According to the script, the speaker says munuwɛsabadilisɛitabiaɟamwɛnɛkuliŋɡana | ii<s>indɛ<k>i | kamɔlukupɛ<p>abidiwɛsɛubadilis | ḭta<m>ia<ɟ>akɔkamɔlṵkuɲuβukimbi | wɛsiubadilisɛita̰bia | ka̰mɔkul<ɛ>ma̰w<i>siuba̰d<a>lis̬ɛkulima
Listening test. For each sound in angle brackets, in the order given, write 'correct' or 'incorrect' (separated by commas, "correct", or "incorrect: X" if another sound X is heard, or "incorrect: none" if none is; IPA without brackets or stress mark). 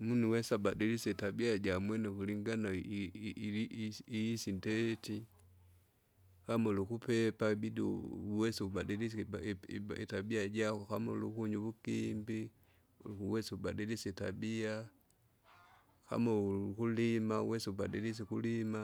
correct, incorrect: t, correct, incorrect: b, correct, incorrect: i, incorrect: ɛ, incorrect: i